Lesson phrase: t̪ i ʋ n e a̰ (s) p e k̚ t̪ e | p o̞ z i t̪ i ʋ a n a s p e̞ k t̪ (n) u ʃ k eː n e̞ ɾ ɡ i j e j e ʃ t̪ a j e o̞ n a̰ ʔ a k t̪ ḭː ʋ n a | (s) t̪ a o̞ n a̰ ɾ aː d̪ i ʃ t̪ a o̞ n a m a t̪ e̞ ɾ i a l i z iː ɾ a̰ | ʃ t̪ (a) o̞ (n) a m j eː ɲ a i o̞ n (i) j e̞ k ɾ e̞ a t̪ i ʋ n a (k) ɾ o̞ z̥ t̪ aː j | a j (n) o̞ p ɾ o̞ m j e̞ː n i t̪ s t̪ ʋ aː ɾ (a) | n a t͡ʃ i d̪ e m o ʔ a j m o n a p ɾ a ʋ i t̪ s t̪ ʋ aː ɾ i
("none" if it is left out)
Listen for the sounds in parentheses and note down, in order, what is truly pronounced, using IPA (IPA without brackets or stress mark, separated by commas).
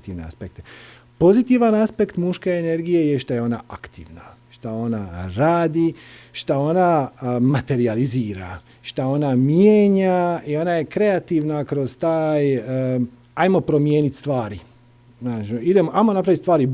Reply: s, m, ʃ, a, n, a, k, m, i